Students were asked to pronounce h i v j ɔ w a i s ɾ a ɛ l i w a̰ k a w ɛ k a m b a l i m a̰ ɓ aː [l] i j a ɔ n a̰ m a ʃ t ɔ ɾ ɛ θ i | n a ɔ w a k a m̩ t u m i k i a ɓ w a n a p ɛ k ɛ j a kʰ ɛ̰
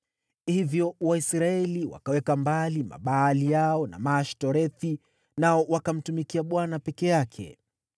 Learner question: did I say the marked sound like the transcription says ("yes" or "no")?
yes